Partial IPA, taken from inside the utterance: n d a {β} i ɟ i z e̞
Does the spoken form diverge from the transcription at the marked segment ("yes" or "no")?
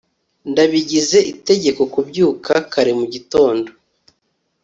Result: no